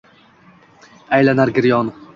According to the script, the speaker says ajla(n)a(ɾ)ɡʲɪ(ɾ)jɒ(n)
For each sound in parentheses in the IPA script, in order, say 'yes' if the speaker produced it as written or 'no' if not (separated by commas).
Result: yes, yes, yes, yes